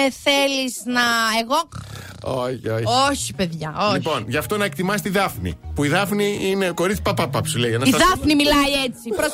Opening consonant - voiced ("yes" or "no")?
no